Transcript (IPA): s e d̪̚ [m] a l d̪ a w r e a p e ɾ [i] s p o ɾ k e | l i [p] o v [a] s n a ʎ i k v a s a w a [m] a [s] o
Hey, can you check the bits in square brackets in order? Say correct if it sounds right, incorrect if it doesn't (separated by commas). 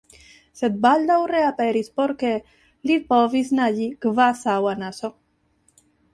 incorrect, correct, correct, incorrect, incorrect, correct